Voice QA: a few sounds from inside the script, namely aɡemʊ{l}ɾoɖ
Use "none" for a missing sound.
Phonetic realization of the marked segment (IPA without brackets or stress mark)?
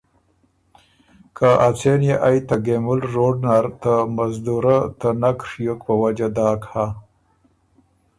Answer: l